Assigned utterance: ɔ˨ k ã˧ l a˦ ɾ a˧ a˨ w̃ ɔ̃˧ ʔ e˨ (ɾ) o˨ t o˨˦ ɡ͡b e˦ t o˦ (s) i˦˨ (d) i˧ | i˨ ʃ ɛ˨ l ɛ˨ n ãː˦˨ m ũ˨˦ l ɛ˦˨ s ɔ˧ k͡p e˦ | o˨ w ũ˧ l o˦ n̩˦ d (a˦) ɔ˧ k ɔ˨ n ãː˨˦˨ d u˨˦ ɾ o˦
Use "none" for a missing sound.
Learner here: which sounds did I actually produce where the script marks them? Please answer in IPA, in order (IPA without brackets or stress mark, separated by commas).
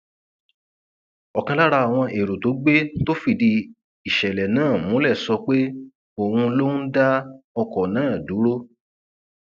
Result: ɾ, f, d, a˦